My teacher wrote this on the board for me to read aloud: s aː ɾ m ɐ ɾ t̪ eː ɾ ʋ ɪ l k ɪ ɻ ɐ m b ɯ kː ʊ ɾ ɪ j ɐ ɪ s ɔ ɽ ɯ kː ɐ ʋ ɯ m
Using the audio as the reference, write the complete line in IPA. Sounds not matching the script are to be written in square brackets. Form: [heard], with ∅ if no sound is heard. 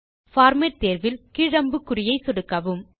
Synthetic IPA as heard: [f] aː ɾ m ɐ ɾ t̪ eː ɾ ʋ ɪ l k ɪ ɻ ɐ m b ɯ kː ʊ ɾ ɪ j ɐ ɪ s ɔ ɽ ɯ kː ɐ ʋ ɯ m

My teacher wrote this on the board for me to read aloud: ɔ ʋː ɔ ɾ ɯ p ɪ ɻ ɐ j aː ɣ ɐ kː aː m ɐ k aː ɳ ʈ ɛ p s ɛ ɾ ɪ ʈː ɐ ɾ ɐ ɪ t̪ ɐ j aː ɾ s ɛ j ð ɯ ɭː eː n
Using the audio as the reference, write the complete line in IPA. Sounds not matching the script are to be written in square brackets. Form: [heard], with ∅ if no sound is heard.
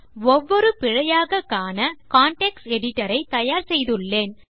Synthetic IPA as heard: ɔ ʋː ɔ ɾ ɯ p ɪ ɻ ɐ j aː ɣ ɐ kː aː [n] ɐ k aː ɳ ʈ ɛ [k] s ɛ [ɽ] ɪ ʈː ɐ ɾ ɐ ɪ t̪ ɐ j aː ɾ s ɛ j ð ɯ ɭː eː n

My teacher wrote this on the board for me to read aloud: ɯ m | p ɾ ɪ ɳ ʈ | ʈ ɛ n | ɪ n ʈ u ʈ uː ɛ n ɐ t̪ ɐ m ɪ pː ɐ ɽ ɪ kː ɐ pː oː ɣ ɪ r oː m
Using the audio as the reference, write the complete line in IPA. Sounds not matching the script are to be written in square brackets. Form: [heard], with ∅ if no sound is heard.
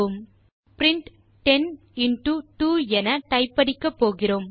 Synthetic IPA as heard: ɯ m | p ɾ ɪ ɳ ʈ | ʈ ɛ n | ɪ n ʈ u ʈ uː ɛ n ɐ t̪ ɐ [∅] ɪ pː ɐ ɽ ɪ kː ɐ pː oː ɣ ɪ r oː m

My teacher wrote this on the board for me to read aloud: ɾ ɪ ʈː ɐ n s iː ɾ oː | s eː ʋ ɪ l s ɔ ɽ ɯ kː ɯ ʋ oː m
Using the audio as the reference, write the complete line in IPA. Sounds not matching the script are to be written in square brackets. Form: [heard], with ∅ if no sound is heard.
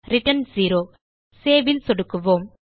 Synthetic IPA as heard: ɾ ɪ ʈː ɐ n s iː ɾ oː | s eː ʋ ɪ l s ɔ ɽ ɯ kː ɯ ʋ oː m

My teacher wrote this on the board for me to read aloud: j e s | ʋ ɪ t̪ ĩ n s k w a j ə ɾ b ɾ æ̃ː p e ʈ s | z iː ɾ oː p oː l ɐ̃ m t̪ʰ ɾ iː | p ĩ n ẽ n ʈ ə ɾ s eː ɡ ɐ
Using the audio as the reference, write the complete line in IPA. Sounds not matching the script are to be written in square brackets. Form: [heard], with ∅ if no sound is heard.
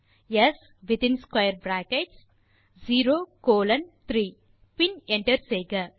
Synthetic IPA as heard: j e s | ʋ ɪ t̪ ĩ n s k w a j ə ɾ b ɾ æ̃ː [k] e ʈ s | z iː ɾ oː [k] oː l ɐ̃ [n] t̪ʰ ɾ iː | p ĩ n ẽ [ɳ] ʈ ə ɾ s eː ɡ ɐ

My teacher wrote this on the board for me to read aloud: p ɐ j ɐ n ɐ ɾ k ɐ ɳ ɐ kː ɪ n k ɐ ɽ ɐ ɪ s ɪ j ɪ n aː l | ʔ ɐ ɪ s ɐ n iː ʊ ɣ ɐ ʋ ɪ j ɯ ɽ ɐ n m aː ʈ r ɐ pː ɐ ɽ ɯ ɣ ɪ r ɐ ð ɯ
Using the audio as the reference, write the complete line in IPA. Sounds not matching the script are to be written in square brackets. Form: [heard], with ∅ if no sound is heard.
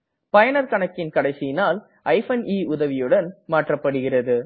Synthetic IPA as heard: p ɐ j ɐ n ɐ ɾ k ɐ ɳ ɐ kː ɪ n k ɐ ɽ ɐ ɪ s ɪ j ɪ n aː l | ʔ ɐ ɪ [f] ɐ n iː ʊ [ð] ɐ ʋ ɪ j ɯ ɽ ɐ n m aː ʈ r ɐ pː ɐ ɽ ɯ ɣ ɪ r ɐ ð ɯ

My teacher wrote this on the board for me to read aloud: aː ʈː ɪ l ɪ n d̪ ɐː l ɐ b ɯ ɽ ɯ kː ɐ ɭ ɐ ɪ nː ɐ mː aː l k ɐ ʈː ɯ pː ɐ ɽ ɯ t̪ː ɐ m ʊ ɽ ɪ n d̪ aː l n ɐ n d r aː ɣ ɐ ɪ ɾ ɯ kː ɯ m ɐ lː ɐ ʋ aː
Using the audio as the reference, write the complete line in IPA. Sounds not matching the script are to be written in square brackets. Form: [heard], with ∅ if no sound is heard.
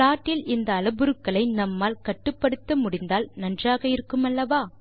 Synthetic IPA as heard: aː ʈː ɪ l ɪ n d̪ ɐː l ɐ b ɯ [ɾ] ɯ kː ɐ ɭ ɐ ɪ [n] ɐ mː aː l k ɐ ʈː ɯ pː ɐ ɽ ɯ t̪ː ɐ m ʊ ɽ ɪ n d̪ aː l n ɐ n d r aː ɣ ɐ ɪ ɾ ɯ kː ɯ m ɐ lː ɐ ʋ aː

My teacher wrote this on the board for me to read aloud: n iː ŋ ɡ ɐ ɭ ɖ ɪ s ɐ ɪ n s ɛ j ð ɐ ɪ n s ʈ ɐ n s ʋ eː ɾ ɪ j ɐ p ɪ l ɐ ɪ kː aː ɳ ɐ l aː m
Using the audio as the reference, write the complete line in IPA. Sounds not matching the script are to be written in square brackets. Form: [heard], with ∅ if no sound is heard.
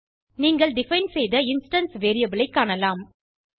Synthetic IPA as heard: n iː ŋ ɡ ɐ ɭ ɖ ɪ [f] ɐ ɪ n s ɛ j ð ɐ ɪ n s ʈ ɐ n s ʋ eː ɾ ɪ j ɐ [b] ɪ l ɐ ɪ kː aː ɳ ɐ l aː m

